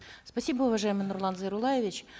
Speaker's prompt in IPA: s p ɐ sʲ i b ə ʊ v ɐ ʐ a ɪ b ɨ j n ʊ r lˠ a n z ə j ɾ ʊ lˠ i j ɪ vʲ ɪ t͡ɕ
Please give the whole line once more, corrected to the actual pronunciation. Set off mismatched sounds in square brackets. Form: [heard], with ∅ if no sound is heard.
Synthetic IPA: s p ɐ sʲ i b ə ʊ v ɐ ʐ a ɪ [m] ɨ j n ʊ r lˠ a n z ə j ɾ ʊ lˠ [a] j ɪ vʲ ɪ t͡ɕ